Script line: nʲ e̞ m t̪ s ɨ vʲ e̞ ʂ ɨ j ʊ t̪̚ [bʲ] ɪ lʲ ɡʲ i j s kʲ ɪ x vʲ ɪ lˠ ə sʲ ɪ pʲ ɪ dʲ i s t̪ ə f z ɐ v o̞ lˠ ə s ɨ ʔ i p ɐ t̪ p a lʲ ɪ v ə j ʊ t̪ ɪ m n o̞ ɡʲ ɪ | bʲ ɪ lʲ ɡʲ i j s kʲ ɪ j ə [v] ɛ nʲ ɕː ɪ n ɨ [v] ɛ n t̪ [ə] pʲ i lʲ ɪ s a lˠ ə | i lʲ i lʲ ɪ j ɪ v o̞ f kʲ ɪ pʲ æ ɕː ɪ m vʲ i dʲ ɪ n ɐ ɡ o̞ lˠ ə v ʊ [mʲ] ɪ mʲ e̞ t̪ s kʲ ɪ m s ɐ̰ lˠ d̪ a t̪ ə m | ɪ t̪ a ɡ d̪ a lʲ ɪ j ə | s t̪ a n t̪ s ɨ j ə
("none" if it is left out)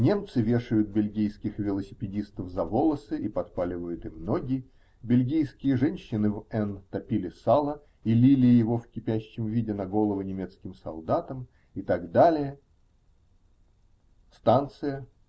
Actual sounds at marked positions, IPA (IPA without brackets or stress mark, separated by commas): bʲ, ʐ, v, ɐ, nʲ